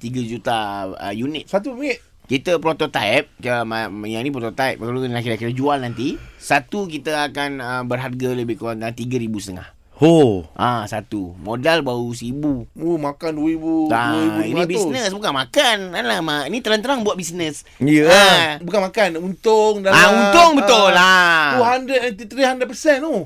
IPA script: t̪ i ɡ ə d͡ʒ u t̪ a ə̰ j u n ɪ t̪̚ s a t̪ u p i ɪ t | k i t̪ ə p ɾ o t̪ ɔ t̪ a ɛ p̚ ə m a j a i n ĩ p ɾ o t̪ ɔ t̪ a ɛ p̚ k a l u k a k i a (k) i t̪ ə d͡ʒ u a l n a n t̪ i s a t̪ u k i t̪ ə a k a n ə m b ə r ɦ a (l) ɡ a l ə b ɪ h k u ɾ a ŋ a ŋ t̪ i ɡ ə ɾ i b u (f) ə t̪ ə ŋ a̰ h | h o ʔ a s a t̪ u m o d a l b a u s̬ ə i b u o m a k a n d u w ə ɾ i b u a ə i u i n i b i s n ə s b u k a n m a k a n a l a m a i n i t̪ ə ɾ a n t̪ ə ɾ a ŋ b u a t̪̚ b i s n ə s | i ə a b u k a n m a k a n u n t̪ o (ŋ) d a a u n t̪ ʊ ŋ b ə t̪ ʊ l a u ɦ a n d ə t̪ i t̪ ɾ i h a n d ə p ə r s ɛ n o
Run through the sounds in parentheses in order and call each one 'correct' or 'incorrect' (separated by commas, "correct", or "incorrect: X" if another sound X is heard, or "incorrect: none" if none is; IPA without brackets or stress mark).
correct, incorrect: r, incorrect: s, correct